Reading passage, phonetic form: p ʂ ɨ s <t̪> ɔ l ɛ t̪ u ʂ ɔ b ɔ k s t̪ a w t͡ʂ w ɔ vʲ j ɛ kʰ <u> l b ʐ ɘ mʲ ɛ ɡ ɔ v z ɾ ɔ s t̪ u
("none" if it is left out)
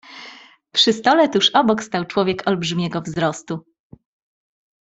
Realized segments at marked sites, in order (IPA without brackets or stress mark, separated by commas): t̪, ɔ